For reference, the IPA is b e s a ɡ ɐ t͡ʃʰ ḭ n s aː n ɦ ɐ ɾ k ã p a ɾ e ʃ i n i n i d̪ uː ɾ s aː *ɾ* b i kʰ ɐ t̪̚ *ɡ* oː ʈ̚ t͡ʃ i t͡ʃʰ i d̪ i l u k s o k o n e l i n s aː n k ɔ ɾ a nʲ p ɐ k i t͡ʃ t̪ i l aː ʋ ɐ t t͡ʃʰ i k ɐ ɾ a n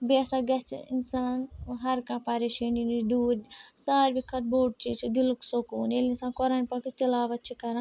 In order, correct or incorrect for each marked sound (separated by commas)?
correct, incorrect